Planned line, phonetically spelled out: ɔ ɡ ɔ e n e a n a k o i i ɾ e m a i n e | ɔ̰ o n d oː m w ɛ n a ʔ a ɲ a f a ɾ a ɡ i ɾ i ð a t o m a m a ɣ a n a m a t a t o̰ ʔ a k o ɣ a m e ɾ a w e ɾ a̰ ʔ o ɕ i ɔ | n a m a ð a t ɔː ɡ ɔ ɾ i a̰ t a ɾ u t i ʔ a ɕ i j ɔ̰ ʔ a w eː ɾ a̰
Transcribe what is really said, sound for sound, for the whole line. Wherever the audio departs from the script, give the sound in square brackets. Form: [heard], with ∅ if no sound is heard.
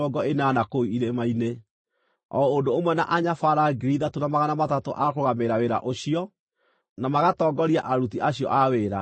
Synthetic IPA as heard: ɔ ɡ ɔ e n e a n a k o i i ɾ e m a i n e | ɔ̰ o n d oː m w ɛ n a ʔ a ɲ a f a ɾ a ɡ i ɾ i ð a t o [n] a m a ɣ a n a m a t a t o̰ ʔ a k o ɣ a m e ɾ a w e ɾ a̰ ʔ o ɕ i ɔ | n a m a [ɣ] a t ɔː ɡ ɔ ɾ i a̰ [ʔ] a ɾ u t i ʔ a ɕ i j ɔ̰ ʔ a w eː ɾ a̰